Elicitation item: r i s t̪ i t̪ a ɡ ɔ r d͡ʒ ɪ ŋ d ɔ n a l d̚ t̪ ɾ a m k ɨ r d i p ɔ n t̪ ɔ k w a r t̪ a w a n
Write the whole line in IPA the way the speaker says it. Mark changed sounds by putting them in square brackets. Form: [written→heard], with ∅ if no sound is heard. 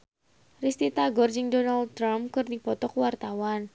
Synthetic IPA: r i s t̪ i t̪ a ɡ ɔ r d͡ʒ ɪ ŋ d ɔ n a l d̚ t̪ ɾ a m k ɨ r d i p ɔ [n→∅] t̪ ɔ k w a r t̪ a w a n